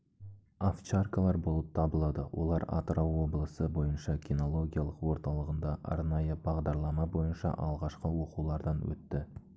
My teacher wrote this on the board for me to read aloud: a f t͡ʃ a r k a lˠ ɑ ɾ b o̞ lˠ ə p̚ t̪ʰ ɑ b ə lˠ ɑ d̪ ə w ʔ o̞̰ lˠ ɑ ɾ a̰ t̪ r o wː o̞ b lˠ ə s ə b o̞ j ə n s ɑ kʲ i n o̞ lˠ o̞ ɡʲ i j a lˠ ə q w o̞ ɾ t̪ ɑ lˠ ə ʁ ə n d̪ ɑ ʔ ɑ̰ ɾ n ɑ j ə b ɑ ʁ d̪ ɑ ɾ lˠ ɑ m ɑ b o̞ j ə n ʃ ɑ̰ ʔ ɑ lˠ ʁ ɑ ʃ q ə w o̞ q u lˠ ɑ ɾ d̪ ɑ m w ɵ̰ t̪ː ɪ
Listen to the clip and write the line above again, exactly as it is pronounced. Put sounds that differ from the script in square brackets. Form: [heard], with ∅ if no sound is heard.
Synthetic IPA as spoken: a f t͡ʃ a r k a lˠ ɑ ɾ b o̞ lˠ ə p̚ t̪ʰ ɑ b ə lˠ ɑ d̪ ə w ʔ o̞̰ lˠ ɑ ɾ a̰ t̪ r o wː o̞ b lˠ ə s ə b o̞ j ə n [ʃ] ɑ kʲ i n o̞ lˠ o̞ ɡʲ i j a lˠ ə q w o̞ ɾ t̪ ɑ lˠ ə ʁ ə n d̪ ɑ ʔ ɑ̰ ɾ n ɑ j ə b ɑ ʁ d̪ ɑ ɾ lˠ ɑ m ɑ b o̞ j ə n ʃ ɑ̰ ʔ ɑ lˠ ʁ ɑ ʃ q ə w o̞ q u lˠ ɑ ɾ d̪ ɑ [n] w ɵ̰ t̪ː ɪ